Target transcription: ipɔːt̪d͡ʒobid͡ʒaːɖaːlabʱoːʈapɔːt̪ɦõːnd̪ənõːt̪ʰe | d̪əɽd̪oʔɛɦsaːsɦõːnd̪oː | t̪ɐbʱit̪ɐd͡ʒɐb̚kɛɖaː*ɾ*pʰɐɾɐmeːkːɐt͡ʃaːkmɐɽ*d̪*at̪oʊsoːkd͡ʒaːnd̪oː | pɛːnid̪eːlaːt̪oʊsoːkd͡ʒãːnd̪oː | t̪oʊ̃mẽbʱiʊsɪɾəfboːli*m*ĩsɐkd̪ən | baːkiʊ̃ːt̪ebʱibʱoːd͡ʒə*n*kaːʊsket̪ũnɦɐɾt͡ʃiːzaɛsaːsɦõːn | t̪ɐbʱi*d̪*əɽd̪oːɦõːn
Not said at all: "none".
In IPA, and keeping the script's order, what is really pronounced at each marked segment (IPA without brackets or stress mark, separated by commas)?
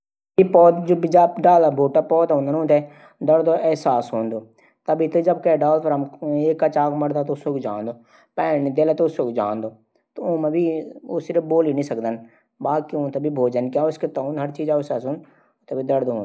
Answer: l, d̪, n, n, d̪